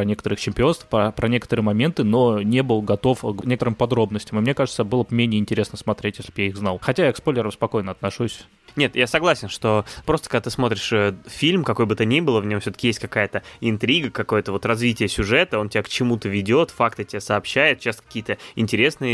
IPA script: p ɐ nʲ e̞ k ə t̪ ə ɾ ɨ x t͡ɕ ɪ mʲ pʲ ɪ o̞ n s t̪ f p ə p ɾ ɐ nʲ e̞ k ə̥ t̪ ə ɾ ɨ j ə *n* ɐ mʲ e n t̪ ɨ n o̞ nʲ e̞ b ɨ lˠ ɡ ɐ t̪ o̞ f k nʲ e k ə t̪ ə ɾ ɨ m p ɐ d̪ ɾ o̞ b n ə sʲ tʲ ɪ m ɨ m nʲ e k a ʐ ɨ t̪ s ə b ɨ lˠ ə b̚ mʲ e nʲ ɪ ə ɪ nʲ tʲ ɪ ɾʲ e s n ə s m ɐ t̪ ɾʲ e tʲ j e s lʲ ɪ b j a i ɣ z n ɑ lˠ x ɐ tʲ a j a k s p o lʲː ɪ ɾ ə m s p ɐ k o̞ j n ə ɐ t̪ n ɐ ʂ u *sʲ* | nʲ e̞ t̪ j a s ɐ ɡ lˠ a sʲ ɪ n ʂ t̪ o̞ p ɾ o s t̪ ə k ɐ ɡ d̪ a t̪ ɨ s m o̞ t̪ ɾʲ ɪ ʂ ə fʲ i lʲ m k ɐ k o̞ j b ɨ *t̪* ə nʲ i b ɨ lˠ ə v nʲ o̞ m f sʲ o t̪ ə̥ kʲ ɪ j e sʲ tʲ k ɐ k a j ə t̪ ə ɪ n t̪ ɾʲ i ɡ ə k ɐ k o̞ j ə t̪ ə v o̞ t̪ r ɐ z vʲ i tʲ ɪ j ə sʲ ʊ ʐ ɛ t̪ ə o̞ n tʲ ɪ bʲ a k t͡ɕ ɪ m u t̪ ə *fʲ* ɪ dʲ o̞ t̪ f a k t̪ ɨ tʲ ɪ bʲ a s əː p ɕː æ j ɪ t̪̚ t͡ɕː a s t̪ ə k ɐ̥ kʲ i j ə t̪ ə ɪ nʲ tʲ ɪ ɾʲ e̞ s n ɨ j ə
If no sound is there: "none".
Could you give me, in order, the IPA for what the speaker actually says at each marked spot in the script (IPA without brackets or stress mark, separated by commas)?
m, sʲ, t̪, vʲ